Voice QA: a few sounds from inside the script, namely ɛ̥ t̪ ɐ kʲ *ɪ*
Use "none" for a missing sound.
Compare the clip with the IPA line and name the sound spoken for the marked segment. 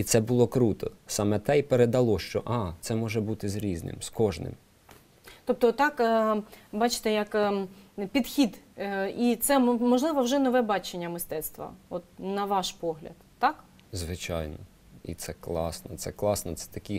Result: i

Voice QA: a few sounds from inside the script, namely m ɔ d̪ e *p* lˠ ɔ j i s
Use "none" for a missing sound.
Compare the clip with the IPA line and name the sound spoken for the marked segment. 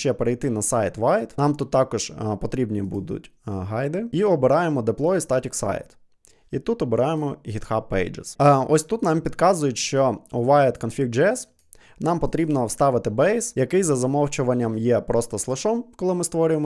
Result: p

